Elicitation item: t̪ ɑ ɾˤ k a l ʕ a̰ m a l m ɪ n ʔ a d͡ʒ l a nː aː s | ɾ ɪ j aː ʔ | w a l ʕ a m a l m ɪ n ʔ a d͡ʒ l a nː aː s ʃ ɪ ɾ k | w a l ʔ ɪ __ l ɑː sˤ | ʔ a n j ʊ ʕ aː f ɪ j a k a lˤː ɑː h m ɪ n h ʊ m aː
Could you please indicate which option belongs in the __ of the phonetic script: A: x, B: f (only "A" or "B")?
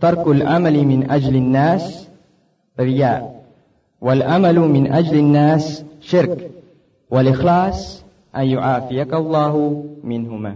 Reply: A